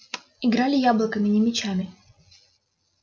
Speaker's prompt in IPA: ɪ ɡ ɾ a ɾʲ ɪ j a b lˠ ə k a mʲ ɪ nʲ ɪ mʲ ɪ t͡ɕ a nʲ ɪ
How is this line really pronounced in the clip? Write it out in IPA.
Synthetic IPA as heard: ɪ ɡ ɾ a lʲ ɪ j a b lˠ ə k ə mʲ ɪ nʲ ɪ mʲ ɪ t͡ɕ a mʲ ɪ